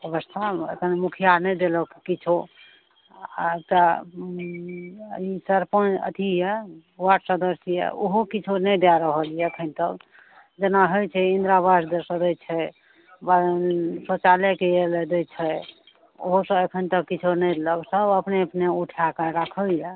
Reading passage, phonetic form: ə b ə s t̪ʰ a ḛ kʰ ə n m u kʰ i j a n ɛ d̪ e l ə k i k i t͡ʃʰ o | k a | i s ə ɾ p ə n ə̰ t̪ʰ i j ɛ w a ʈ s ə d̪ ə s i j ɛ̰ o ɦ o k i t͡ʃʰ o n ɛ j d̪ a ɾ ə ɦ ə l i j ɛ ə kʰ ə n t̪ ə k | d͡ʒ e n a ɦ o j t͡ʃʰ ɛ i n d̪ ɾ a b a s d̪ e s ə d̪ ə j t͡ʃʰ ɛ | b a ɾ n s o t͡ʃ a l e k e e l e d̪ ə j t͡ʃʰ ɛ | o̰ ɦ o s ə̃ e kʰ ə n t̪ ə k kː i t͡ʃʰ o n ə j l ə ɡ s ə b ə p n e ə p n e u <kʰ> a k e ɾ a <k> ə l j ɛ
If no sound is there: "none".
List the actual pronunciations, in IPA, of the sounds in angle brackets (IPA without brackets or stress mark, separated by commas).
ʈʰ, kʰ